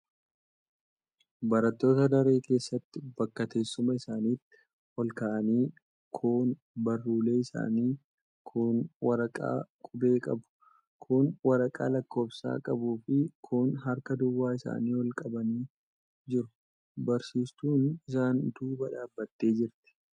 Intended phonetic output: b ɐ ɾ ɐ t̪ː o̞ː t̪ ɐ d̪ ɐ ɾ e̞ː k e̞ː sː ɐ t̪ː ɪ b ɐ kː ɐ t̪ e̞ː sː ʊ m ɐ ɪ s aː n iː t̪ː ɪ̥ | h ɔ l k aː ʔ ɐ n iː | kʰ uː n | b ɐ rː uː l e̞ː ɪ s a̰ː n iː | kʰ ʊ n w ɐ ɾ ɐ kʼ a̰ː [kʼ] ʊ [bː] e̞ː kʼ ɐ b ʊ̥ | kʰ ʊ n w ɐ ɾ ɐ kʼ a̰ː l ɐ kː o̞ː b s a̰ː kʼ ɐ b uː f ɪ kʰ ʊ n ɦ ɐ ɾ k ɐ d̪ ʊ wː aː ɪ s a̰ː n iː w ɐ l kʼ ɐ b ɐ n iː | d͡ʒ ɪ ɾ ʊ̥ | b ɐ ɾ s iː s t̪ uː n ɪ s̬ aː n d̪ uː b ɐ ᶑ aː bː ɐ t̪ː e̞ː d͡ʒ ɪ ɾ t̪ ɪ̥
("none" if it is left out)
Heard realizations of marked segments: kʼ, b

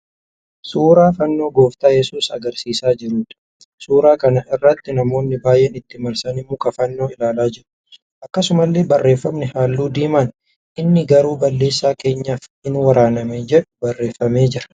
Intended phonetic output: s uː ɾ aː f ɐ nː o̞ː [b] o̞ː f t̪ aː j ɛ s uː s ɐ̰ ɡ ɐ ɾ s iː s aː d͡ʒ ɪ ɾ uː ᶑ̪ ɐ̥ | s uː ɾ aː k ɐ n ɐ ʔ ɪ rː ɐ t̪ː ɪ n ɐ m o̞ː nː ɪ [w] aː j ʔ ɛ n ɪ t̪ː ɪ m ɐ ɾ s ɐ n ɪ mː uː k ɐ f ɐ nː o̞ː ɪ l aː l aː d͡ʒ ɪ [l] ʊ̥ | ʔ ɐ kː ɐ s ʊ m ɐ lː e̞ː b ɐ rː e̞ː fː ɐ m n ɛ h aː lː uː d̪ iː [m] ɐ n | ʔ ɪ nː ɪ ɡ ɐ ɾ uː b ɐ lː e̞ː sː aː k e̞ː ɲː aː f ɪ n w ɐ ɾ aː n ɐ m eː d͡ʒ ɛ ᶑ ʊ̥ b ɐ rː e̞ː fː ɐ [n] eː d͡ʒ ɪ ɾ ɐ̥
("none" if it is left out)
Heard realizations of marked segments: ɡ, b, ɾ, m, m

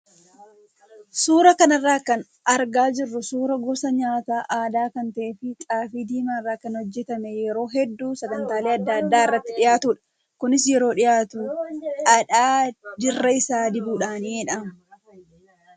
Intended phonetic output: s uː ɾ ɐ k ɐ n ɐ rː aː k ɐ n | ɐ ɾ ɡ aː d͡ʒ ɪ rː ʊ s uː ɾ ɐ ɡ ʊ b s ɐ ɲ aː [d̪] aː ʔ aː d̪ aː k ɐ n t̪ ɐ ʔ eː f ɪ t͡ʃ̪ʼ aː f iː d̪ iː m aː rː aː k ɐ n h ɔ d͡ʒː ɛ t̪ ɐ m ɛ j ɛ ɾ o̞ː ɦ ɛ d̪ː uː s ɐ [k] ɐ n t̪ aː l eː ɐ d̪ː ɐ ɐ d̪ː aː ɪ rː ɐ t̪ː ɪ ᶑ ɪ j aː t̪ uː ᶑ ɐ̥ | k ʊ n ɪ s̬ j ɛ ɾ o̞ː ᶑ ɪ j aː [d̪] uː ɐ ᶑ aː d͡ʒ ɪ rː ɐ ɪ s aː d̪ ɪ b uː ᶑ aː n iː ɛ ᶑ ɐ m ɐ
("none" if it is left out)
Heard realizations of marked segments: t̪, ɡ, t̪

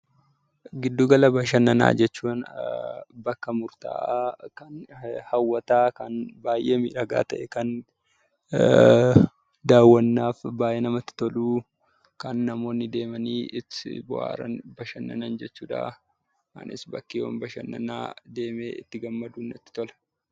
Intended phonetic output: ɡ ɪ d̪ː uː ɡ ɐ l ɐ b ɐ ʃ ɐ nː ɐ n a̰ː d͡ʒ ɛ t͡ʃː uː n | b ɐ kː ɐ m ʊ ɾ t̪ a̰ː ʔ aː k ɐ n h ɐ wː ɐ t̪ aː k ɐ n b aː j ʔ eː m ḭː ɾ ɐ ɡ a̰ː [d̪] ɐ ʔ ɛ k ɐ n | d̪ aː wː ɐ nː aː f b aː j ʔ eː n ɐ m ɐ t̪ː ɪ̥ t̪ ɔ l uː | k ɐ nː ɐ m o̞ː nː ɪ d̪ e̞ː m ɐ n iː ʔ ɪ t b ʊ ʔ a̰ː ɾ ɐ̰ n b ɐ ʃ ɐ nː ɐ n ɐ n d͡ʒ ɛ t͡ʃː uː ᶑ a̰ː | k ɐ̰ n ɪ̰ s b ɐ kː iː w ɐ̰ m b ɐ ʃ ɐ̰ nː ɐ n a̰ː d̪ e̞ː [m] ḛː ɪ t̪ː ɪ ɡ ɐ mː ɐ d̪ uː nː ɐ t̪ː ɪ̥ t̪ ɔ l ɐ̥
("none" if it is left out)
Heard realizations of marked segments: t̪, m

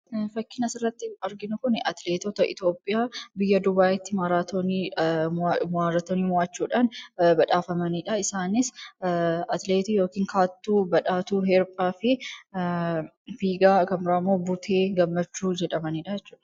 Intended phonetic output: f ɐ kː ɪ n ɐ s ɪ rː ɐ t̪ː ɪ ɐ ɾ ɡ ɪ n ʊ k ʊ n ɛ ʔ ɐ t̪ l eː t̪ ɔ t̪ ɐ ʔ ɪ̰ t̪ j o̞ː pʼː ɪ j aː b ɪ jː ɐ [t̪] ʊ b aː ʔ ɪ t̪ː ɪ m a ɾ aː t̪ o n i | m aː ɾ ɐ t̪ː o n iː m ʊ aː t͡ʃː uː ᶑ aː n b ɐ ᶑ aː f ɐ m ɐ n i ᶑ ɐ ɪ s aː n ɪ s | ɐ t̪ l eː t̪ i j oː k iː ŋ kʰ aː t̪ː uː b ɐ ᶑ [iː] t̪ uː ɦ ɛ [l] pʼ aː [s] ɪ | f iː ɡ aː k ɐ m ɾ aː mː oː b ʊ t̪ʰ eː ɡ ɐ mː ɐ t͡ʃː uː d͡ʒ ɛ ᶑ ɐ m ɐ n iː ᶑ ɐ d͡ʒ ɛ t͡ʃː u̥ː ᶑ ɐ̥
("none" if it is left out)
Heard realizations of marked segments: d̪, aː, ɾ, f

